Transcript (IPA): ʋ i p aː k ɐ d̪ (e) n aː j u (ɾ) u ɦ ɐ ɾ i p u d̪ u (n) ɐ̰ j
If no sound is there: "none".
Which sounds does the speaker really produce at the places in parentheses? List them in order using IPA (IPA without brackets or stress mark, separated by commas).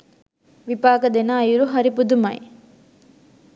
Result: e, ɾ, m